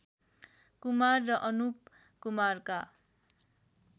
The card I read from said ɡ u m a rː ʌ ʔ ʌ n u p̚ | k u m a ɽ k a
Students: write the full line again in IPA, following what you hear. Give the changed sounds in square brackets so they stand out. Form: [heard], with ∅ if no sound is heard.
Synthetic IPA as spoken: [k] u m a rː ʌ ʔ ʌ n u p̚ | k u m a [r] k a